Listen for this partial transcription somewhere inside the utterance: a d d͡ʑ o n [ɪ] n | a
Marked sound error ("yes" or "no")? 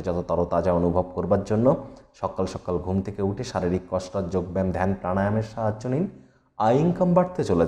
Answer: yes